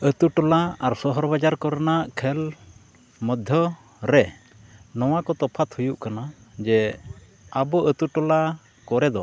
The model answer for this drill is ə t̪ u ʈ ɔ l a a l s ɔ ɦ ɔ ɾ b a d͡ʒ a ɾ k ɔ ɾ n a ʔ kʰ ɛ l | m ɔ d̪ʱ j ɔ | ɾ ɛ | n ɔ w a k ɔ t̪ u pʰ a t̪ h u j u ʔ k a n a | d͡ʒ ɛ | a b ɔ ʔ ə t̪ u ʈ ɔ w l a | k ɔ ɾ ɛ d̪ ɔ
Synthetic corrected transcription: ə t̪ u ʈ ɔ l a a ɾ s ɔ ɦ ɔ ɾ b a d͡ʒ a ɾ k ɔ ɾ n a ʔ kʰ ɛ l | m ɔ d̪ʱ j ɔ | ɾ ɛ | n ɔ w a k ɔ t̪ ɔ pʰ a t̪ h u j u ʔ k a n a | d͡ʒ ɛ | a b ɔ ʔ ə t̪ u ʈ ɔ l a | k ɔ ɾ ɛ d̪ ɔ